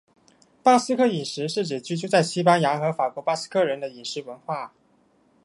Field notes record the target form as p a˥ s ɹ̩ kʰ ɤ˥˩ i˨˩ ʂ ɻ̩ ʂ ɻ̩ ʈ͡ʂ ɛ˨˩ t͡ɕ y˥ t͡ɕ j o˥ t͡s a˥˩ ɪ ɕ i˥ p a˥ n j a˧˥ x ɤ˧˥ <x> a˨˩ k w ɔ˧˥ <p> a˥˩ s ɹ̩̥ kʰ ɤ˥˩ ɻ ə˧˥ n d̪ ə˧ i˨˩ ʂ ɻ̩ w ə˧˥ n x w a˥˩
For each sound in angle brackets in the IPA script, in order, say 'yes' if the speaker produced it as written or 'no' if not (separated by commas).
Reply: no, yes